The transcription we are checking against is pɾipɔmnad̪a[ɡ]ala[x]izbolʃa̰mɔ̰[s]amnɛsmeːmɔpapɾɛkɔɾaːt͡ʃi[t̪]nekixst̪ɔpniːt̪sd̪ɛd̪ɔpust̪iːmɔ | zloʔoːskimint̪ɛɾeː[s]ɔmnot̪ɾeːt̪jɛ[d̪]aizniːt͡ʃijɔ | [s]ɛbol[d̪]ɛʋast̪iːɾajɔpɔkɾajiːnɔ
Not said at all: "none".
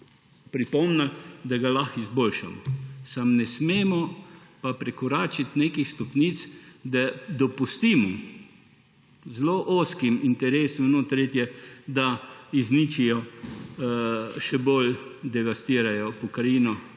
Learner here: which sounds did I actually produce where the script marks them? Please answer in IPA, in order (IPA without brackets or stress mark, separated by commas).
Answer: ɡ, x, s, t̪, s, d̪, ʃ, d̪